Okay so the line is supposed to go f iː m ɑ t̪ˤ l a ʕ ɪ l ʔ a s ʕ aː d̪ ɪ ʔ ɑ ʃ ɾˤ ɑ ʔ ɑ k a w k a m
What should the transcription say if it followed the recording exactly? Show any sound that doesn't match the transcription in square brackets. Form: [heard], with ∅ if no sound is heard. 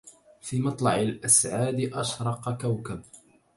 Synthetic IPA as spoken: f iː m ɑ t̪ˤ l [ɑ] ʕ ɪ l ʔ a s ʕ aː d̪ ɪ ʔ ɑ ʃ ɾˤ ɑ [q] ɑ k a w k a [b]